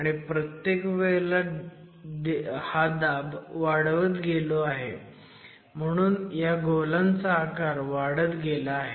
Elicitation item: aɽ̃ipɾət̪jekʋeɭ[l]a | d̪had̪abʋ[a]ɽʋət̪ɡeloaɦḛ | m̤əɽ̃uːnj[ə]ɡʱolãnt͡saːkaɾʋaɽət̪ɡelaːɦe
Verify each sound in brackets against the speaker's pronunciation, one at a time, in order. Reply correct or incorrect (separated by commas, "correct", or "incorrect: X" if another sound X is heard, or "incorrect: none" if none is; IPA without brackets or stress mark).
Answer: correct, correct, incorrect: a